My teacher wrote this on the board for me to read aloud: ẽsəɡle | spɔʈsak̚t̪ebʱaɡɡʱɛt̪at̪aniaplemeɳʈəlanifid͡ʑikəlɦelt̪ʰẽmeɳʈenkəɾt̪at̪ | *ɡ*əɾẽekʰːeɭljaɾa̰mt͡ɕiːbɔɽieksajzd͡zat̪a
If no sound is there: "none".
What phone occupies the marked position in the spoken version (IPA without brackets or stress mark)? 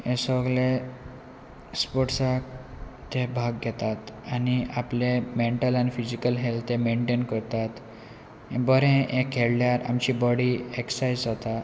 b